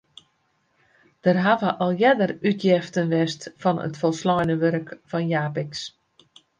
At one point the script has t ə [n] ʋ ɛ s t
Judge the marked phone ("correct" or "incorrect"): correct